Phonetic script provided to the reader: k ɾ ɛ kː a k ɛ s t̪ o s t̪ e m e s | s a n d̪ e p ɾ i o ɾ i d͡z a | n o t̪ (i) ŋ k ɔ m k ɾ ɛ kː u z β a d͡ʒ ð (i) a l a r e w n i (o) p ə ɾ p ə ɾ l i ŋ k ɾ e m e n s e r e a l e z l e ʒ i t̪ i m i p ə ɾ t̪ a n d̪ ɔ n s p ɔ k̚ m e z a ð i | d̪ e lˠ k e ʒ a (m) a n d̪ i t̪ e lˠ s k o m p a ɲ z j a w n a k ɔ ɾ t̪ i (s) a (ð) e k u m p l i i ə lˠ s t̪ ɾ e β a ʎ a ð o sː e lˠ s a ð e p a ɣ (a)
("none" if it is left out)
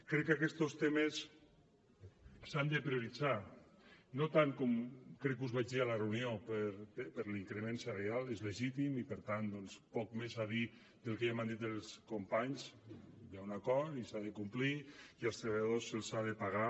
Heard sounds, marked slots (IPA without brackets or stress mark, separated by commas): a, i, o, m, s, ð, a